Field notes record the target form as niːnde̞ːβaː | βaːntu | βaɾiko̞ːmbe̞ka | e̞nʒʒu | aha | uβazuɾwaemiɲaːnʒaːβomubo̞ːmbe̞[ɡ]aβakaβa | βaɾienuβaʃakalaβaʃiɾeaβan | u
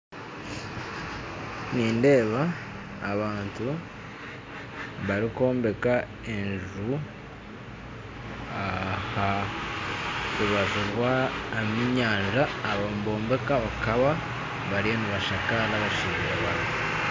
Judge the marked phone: incorrect: k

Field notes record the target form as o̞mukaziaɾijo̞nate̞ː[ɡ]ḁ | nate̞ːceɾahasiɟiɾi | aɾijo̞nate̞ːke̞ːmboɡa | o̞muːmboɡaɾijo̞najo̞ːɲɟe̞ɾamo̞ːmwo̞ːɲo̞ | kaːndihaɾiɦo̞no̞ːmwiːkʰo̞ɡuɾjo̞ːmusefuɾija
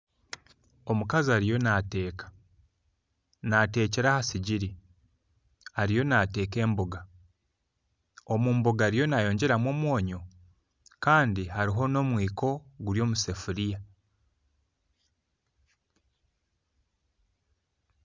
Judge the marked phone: incorrect: k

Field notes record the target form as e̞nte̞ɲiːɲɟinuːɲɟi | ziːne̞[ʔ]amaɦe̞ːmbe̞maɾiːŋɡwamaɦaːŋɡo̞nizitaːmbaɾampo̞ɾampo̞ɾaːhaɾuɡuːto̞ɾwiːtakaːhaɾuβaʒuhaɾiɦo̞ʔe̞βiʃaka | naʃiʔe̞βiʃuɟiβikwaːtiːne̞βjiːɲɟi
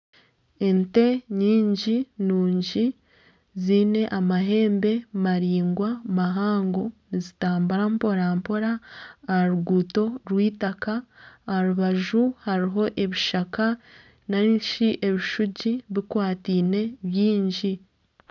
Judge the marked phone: correct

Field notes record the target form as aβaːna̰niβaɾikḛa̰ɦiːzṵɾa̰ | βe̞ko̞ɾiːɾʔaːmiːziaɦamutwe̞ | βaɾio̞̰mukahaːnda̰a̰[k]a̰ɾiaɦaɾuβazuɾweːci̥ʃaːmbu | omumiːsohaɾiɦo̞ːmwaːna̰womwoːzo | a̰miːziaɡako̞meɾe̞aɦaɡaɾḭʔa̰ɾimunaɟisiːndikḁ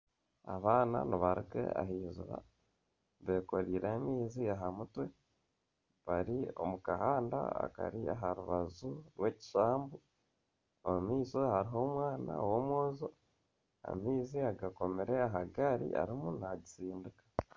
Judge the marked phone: correct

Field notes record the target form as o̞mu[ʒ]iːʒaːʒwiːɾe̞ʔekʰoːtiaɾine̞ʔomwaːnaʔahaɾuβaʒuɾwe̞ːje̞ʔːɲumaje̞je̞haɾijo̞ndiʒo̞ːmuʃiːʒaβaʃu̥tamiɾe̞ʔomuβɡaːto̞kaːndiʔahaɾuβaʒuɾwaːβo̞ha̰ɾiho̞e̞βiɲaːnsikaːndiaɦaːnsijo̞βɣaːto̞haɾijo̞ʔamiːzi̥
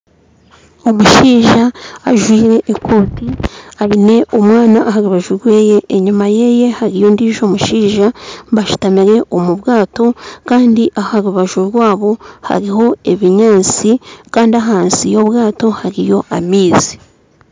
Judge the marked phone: incorrect: ʃ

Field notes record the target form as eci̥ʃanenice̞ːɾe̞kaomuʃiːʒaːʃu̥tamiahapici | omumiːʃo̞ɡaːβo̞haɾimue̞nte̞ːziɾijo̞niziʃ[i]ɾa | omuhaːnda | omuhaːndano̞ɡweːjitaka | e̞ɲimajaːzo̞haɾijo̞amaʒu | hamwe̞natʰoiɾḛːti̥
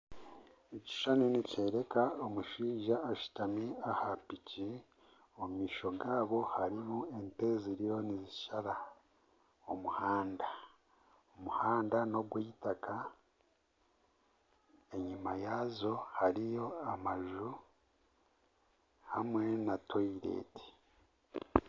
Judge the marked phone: incorrect: a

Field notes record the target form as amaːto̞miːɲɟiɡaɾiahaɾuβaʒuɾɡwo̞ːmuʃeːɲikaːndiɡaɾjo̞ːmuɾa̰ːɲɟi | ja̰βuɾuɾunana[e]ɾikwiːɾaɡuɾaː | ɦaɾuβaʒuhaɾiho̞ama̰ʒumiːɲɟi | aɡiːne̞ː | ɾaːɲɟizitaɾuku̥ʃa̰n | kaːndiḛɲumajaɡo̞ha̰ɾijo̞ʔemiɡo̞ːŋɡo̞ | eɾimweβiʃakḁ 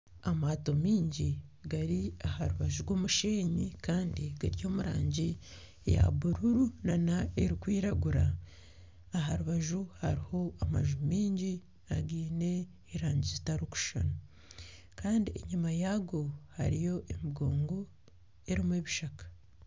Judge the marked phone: correct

